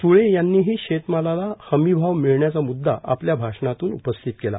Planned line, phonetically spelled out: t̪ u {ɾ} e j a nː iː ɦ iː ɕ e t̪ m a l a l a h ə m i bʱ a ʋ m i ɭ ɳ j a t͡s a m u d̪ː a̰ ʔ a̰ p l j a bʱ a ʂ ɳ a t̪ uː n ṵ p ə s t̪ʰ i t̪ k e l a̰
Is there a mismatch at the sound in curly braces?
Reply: yes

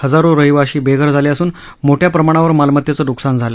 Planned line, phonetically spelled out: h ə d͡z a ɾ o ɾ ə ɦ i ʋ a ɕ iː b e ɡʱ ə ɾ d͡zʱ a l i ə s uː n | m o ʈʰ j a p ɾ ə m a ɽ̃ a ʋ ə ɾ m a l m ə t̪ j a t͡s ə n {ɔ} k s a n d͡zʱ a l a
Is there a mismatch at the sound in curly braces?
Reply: yes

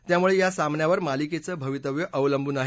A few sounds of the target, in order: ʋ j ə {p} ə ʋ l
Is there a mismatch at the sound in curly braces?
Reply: yes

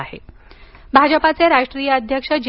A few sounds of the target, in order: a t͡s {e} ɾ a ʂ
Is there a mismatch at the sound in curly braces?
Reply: no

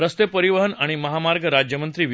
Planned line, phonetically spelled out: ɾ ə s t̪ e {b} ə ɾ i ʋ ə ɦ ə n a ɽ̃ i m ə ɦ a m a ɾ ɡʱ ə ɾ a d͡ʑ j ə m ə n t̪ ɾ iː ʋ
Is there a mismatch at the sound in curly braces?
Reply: yes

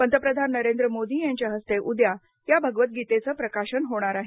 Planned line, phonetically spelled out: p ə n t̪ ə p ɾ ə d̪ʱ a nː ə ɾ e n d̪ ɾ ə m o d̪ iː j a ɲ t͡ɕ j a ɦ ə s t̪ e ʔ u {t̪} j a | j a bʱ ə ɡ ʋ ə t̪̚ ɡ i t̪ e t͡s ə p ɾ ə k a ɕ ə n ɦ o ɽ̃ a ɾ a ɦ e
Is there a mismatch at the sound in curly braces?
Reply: yes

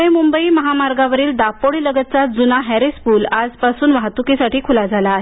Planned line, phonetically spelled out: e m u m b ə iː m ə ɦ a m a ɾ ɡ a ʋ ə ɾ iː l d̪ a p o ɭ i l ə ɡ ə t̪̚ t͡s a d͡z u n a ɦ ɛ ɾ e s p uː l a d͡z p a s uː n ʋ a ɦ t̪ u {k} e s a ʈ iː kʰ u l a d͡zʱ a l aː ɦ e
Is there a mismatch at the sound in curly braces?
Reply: no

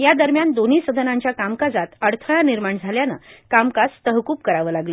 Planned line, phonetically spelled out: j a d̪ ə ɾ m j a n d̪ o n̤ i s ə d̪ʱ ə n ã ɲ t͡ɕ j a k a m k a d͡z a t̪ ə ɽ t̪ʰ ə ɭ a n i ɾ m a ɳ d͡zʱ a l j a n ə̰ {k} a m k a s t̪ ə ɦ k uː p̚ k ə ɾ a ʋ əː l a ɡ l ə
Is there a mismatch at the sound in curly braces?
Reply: no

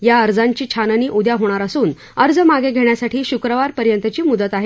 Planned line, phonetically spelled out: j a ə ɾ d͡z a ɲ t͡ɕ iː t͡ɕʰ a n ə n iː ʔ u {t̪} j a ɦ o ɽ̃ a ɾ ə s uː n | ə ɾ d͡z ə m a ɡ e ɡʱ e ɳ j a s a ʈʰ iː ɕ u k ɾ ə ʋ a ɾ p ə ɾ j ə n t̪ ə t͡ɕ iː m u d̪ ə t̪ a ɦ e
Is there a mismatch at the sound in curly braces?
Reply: yes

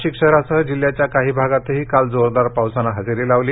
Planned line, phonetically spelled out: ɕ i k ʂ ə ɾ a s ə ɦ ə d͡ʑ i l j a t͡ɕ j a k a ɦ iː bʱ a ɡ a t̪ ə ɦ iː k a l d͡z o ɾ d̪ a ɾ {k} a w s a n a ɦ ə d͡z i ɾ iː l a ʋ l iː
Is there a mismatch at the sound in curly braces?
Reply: yes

